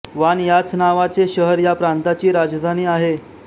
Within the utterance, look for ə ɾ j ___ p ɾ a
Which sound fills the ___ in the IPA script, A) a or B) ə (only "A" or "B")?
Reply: A